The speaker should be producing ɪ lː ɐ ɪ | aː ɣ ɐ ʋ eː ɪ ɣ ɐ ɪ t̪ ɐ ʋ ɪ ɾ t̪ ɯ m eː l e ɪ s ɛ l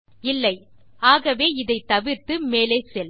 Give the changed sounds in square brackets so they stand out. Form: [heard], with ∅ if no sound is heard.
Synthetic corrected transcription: ɪ lː ɐ ɪ | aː ɣ ɐ ʋ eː ɪ [ð] ɐ ɪ t̪ ɐ ʋ ɪ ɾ t̪ ɯ m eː l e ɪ s ɛ l